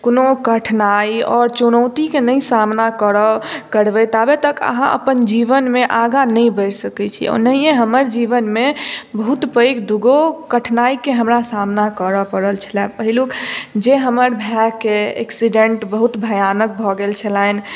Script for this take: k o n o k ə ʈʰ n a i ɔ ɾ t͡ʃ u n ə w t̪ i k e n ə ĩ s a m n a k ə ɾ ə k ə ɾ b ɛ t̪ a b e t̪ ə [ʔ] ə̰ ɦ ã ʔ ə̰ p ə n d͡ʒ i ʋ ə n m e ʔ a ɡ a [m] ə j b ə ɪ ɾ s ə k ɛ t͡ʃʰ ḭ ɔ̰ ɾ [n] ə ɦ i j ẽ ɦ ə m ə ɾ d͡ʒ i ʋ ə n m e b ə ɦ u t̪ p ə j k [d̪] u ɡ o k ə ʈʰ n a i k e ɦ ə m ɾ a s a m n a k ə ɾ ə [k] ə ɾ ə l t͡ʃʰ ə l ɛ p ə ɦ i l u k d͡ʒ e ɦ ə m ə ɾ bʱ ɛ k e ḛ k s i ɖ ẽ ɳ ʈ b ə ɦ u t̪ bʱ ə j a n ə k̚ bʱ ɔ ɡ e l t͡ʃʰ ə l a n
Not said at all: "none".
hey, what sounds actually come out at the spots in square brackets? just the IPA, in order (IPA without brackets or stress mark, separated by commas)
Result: k, n, n, d̪, p